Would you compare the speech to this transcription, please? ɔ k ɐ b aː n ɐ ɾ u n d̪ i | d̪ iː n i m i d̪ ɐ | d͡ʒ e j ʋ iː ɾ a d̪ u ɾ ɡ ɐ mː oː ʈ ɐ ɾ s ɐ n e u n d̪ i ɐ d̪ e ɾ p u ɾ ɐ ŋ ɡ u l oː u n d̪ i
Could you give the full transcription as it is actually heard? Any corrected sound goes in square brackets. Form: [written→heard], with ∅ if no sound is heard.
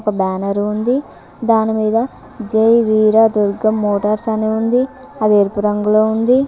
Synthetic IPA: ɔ k ɐ b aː n ɐ ɾ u n d̪ i | d̪ [iː→aː] n i m [i→iː] d̪ ɐ | d͡ʒ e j ʋ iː ɾ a d̪ u ɾ ɡ ɐ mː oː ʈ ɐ ɾ s ɐ n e u n d̪ i ɐ d̪ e ɾ p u ɾ ɐ ŋ ɡ u l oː u n d̪ i